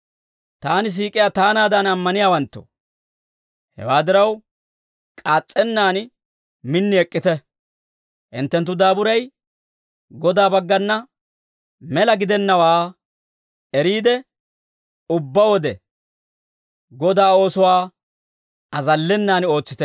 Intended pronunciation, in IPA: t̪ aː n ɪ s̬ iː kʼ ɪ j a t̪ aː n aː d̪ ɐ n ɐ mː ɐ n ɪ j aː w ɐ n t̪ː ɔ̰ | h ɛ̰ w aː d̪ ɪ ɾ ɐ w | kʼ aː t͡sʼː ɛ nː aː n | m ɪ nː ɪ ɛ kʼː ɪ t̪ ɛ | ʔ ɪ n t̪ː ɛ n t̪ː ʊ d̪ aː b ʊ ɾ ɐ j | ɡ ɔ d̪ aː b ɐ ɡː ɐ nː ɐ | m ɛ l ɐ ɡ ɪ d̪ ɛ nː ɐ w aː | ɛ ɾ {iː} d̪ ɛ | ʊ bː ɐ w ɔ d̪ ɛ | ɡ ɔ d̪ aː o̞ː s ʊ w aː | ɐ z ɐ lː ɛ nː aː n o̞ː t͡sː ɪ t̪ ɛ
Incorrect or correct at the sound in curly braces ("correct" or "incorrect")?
correct